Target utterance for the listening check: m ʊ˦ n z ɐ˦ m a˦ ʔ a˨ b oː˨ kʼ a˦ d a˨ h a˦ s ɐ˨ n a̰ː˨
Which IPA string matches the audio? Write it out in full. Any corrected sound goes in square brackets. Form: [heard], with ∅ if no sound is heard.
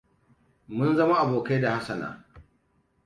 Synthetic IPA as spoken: m ʊ˦ n z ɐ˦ m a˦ ʔ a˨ b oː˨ [k] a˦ d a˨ h a˦ s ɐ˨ n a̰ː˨